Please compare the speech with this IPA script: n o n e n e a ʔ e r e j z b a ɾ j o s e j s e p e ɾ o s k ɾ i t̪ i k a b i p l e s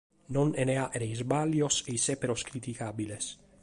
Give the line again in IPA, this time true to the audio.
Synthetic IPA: n o n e n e a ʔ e ɾ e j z b a l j o s e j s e p e ɾ o s k ɾ i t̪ i k a b i l e s